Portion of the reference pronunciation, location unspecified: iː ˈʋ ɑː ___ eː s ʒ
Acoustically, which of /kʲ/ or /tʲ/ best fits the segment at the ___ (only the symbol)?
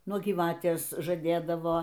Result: tʲ